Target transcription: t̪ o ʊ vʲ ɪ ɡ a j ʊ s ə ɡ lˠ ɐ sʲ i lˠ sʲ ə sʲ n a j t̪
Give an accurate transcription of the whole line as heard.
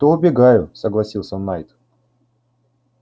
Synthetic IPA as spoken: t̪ o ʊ bʲ ɪ ɡ a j ʊ s ə ɡ lˠ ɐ sʲ i lˠ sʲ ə n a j t̪